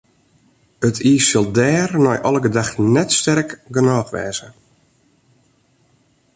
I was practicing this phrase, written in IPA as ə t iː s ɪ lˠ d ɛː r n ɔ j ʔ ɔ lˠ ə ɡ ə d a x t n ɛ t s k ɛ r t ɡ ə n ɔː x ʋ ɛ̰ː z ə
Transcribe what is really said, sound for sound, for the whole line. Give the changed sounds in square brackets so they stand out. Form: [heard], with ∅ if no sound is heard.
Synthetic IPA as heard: ə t iː s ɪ lˠ d ɛː r n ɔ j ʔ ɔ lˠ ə ɡ ə d a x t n ɛ t s [t] ɛ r [k] ɡ ə n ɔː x ʋ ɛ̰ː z ə

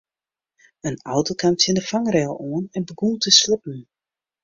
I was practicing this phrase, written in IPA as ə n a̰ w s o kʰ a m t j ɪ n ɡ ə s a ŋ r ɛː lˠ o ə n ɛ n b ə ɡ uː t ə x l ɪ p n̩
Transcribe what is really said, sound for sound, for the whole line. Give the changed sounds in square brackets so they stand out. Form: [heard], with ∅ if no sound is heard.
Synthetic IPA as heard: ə n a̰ w [t] o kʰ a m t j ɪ n [d] ə [f] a ŋ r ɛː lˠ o ə n ɛ n b ə ɡ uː t ə [s] l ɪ p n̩

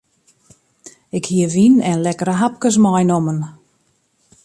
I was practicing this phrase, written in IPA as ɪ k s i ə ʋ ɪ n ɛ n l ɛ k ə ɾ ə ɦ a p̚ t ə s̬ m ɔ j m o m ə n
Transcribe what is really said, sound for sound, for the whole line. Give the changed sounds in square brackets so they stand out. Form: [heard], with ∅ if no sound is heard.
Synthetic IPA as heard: ɪ k [h] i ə ʋ [i] n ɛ n l ɛ k ə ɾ ə ɦ a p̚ [k] ə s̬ m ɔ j [n] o m ə n

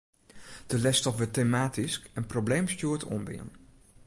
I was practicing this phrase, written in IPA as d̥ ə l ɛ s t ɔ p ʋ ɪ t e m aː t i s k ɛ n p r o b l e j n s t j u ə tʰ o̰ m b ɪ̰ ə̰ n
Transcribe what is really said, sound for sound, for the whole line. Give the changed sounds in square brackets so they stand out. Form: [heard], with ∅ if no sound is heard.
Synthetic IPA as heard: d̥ ə l ɛ s t ɔ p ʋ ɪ t e m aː t i s k ɛ n p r o b l e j [m] s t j u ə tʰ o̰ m b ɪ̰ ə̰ n

